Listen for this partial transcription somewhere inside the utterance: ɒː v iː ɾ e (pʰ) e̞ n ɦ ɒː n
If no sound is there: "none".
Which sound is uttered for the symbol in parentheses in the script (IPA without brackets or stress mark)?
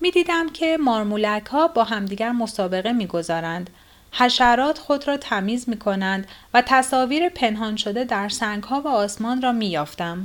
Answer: pʰ